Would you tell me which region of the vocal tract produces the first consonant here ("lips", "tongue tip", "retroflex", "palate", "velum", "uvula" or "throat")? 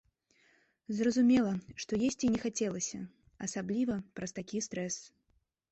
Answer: tongue tip